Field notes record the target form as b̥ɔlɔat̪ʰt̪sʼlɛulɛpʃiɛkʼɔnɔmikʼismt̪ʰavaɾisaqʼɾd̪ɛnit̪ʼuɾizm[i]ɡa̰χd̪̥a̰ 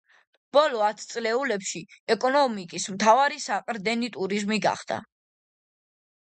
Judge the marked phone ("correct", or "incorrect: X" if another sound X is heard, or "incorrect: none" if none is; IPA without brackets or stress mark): correct